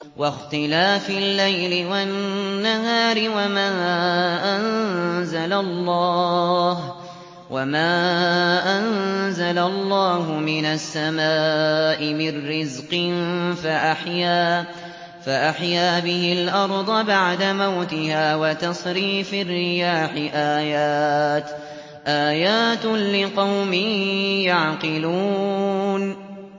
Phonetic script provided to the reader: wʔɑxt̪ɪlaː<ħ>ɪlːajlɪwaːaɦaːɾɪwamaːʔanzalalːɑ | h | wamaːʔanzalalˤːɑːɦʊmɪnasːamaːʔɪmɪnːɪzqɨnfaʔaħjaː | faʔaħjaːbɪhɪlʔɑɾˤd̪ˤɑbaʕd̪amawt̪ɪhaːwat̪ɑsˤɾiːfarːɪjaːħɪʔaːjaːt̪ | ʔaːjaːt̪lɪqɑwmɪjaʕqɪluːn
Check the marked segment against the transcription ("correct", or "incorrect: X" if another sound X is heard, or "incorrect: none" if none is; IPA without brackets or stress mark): incorrect: f